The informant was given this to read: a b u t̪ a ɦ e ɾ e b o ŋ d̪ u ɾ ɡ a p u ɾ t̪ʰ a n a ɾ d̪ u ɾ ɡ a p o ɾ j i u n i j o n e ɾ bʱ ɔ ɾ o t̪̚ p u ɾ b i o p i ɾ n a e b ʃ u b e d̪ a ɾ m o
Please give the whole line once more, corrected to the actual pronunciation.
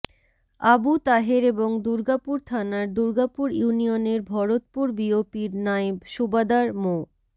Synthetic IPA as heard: a b u t̪ a ɦ e ɾ e b o ŋ d̪ u ɾ ɡ a p u ɾ t̪ʰ a n a ɾ d̪ u ɾ ɡ a p u ɾ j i u n i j o n e ɾ bʱ ɔ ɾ o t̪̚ p u ɾ b i o p i ɾ n a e b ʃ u b a d̪ a ɾ m o